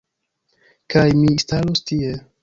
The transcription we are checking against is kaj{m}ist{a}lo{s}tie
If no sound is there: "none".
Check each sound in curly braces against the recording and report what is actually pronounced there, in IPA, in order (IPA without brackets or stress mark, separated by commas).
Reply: m, a, s